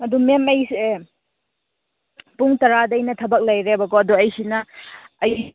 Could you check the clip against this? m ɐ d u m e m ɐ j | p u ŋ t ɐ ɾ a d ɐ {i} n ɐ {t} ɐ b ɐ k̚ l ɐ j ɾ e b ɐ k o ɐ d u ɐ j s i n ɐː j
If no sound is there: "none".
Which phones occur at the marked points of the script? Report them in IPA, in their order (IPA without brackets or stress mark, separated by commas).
j, tʰ